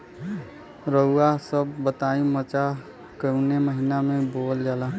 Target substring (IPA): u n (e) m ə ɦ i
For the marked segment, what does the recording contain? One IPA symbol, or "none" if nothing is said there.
e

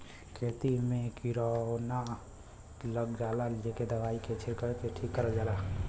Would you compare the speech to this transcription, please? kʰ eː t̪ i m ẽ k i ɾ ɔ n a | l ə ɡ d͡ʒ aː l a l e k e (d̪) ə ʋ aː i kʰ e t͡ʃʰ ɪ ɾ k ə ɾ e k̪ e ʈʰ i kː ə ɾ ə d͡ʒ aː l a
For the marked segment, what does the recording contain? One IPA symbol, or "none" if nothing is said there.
d̪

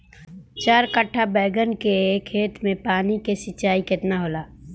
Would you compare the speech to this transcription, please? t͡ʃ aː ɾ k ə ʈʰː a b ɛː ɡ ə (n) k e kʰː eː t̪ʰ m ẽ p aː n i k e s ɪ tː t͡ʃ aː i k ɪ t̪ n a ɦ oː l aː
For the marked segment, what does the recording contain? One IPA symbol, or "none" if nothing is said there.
n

